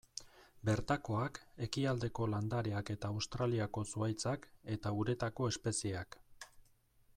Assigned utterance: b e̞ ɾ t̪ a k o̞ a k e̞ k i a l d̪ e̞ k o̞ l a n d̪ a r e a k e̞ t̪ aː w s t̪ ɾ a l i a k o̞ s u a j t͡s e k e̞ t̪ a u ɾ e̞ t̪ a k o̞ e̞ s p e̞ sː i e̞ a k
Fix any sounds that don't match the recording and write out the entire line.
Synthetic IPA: b e̞ ɾ t̪ a k o̞ a k e̞ k i a l d̪ e̞ k o̞ l a n d̪ a ɾ e a k e̞ t̪ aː w s t̪ ɾ a l i a k o̞ s u a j t͡s a k e̞ t̪ a u ɾ e̞ t̪ a k o̞ e̞ s p e̞ s i e̞ a k

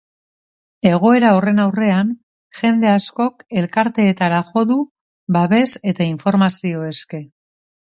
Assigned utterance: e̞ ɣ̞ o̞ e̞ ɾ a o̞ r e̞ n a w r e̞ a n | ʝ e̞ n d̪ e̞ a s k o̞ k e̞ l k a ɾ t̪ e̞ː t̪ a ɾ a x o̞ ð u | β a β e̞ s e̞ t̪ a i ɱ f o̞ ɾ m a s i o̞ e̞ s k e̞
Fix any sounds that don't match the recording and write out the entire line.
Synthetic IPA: e̞ ɣ̞ o̞ e̞ ɾ a o̞ r e̞ n a w r e̞ a n | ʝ e̞ n d̪ e̞ a s k o̞ k e̞ l k a ɾ t̪ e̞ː t̪ a ɾ a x o̞ ð u | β a β e̞ s e̞ t̪ a i ɱ f o̞ ɾ m a s i o̞ e̞ s k e̞

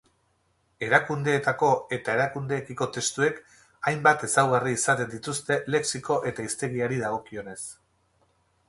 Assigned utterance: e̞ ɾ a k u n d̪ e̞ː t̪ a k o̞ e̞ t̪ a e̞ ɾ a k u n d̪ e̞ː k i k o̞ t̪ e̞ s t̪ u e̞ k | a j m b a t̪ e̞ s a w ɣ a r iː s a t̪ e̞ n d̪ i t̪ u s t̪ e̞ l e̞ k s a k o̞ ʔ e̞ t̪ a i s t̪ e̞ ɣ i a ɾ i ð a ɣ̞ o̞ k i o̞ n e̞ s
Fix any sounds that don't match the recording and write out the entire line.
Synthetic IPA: e̞ ɾ a k u n d̪ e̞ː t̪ a k o̞ e̞ t̪ a e̞ ɾ a k u n d̪ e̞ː k i k o̞ t̪ e̞ s t̪ u e̞ k | a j m b a t̪ e̞ s a w ɣ a r iː s a t̪ e̞ n d̪ i t̪ u s t̪ e̞ l e̞ k s i k o̞ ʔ e̞ t̪ a i s t̪ e̞ ɣ i a ɾ i ð a ɣ̞ o̞ k i o̞ n e̞ s

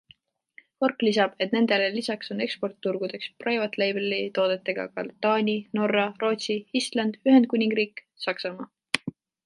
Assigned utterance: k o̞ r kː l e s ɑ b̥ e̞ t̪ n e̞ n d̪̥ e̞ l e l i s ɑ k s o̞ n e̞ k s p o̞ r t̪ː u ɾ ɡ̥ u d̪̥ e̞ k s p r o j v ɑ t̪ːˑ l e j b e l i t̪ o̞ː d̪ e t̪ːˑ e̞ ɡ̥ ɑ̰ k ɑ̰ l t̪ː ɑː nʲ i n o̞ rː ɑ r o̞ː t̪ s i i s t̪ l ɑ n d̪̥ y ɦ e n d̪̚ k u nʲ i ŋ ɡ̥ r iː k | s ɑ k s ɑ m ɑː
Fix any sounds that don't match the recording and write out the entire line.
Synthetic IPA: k o̞ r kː l i s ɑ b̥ e̞ t̪ n e̞ n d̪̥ e̞ l e l i s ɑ k s o̞ n e̞ k s p o̞ r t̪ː u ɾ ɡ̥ u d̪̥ e̞ k s p r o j v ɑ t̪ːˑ l e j b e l i t̪ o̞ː d̪ e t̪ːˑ e̞ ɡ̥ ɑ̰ k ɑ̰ l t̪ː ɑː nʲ i n o̞ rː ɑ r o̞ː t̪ s i i s t̪ l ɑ n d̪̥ y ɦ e n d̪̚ k u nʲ i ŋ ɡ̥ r iː k | s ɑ k s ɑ m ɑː

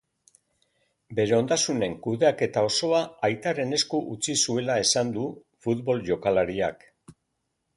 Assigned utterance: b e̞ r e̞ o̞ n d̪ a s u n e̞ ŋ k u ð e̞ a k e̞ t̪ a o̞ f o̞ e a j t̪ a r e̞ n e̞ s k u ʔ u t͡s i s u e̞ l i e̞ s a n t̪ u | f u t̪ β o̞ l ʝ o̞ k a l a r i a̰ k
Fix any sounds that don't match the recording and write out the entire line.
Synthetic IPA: b e̞ ɾ e̞ o̞ n d̪ a s u n e̞ ŋ k u ð e̞ a k e̞ t̪ a o̞ s o̞ a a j t̪ a r e̞ n e̞ s k u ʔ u t͡s i s u e̞ l a e̞ s a n d̪ u | f u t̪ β o̞ l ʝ o̞ k a l a ɾ i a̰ k

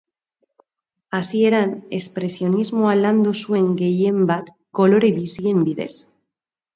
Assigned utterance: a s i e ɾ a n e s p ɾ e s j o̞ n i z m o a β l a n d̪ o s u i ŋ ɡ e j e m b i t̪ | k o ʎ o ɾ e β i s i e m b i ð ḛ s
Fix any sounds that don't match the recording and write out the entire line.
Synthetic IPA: a s i e ɾ a n e s p ɾ e s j o̞ n i z m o a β l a n d̪ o s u e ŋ ɡ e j e m b a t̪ | k o l o ɾ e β i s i e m b i ð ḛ s

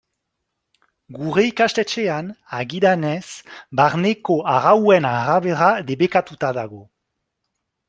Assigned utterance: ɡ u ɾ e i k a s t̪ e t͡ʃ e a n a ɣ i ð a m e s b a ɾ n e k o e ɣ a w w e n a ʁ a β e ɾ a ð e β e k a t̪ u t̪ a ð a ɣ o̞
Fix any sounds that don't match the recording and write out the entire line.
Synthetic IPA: ɡ u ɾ e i k a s t̪ e t͡ʃ e a n a ɣ i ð a n e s b a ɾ n e k o a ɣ a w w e n a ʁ a β e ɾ a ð e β e k a t̪ u t̪ a ð a ɣ o̞

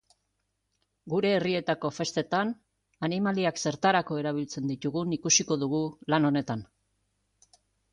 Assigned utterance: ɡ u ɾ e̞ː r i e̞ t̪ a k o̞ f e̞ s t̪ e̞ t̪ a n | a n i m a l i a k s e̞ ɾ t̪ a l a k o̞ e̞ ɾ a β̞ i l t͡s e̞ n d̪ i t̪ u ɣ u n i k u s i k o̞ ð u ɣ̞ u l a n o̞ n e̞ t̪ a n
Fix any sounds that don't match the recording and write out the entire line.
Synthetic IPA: ɡ u ɾ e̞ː r i e̞ t̪ a k o̞ f e̞ s t̪ e̞ t̪ a n | a n i m a l i a k s e̞ ɾ t̪ a ɾ a k o̞ e̞ ɾ a β̞ i l t͡s e̞ n d̪ i t̪ u ɣ u n i k u s i k o̞ ð u ɣ̞ u l a n o̞ n e̞ t̪ a n

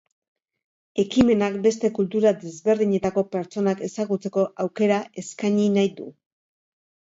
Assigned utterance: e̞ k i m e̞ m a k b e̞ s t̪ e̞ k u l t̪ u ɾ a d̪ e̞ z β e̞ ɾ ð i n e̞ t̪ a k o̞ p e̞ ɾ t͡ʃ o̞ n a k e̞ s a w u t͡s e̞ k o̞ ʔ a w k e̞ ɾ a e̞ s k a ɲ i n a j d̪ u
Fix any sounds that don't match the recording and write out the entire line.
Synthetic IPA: e̞ k i m e̞ n a k b e̞ s t̪ e̞ k u l t̪ u ɾ a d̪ e̞ z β e̞ ɾ ð i ɲ e̞ t̪ a k o̞ p e̞ ɾ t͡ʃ o̞ n a k e̞ s a ɣ u t͡s e̞ k o̞ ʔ a w k e̞ ɾ a e̞ s k a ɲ i n a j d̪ u

